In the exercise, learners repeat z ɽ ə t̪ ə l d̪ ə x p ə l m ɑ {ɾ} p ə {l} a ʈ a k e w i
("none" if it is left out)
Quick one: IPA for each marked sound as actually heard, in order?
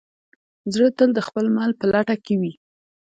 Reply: l, l

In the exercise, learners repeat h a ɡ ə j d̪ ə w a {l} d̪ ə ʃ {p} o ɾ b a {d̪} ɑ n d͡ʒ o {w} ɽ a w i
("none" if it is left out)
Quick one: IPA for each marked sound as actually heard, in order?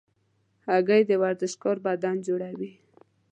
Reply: ɾ, k, d̪, none

